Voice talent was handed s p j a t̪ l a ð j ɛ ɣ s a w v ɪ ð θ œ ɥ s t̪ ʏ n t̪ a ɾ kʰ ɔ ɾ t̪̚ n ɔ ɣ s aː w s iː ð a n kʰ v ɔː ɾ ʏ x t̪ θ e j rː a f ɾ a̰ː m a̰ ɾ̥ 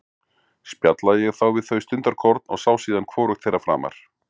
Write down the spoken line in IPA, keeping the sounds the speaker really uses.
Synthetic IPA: s p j a t̪ l a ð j ɛ ɣ θ a w v ɪ ð θ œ ɥ s t̪ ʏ n t̪ a ɾ kʰ ɔ ɾ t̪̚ n ɔ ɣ s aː w s iː ð a n kʰ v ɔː ɾ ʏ x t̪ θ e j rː a f ɾ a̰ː m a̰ ɾ̥